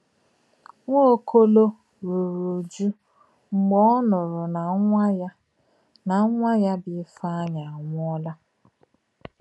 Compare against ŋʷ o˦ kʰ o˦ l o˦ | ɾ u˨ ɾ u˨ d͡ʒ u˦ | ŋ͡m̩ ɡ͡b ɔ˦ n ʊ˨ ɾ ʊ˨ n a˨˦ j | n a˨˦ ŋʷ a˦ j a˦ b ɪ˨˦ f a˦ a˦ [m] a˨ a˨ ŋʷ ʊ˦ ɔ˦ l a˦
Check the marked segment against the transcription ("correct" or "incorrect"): incorrect